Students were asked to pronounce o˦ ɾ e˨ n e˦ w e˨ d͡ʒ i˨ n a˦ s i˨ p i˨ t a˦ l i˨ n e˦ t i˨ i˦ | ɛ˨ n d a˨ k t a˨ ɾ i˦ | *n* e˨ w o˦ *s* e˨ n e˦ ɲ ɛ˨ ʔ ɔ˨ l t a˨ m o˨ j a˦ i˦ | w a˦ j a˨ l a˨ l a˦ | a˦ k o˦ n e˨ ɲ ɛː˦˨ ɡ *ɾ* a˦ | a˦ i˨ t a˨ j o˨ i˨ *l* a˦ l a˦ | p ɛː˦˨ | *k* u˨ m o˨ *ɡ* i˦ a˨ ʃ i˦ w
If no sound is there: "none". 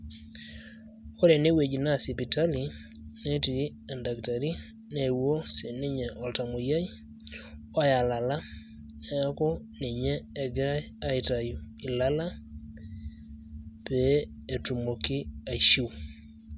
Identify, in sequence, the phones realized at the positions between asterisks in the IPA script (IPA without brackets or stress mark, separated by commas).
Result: n, s, ɾ, l, t, k